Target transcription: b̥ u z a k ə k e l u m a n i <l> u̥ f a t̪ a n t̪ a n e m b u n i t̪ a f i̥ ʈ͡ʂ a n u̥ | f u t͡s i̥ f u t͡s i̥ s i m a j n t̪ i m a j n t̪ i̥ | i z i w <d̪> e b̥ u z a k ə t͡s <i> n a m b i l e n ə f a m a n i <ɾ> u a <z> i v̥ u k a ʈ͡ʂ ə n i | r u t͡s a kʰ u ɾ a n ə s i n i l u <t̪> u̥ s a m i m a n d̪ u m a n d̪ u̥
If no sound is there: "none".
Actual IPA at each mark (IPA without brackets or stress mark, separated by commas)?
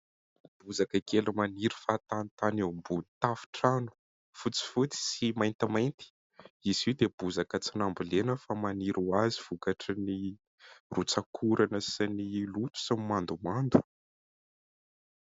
ɾ, d̪, i, ɾ, z, t̪